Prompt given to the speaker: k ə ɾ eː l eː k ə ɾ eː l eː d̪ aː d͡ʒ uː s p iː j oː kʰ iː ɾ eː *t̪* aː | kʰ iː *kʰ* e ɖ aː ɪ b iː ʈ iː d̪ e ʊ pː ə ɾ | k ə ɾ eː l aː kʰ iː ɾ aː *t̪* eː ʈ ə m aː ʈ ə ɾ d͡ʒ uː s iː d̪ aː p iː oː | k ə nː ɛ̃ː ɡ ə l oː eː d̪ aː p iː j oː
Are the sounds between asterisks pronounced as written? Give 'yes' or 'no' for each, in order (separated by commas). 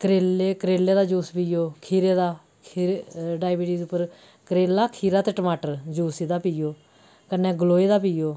no, no, yes